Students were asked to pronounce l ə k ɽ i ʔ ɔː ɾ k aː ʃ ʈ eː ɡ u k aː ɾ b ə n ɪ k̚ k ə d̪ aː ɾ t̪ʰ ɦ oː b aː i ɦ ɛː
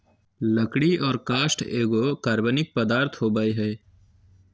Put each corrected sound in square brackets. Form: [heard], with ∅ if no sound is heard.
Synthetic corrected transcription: l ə k ɽ i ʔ ɔː ɾ k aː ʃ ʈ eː ɡ [o] k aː ɾ b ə n ɪ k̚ [p] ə d̪ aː ɾ t̪ʰ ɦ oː b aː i ɦ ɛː